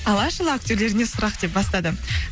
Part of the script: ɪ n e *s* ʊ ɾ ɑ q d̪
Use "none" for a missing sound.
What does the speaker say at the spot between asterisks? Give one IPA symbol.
s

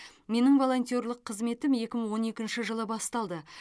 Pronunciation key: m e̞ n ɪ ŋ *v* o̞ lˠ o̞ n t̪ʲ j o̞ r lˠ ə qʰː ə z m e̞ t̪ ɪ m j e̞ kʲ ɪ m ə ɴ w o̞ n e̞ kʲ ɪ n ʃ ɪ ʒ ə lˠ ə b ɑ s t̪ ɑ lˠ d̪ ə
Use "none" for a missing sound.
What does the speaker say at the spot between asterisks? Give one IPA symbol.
v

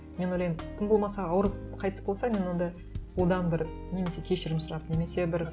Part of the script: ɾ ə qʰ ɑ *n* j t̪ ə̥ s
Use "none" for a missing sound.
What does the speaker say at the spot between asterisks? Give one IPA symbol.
none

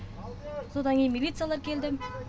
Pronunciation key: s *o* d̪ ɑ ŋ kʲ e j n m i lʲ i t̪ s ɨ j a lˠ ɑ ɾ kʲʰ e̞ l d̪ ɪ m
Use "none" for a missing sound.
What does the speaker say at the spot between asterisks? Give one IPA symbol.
o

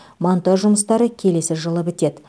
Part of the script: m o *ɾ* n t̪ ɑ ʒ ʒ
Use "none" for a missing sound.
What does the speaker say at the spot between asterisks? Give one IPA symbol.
none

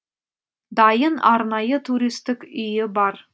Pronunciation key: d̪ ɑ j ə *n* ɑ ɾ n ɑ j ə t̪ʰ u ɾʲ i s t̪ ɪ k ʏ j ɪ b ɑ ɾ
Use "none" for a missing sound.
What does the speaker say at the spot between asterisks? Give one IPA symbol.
n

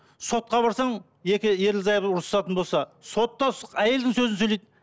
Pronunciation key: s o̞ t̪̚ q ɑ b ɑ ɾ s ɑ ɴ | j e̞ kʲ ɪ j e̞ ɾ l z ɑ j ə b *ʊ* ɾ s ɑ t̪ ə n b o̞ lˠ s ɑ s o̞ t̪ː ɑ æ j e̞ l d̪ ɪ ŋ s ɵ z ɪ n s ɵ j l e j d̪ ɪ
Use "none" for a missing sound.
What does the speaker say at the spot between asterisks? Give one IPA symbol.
ʊ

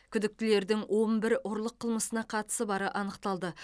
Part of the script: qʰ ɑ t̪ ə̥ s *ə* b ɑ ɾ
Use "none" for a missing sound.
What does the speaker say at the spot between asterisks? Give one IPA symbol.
ə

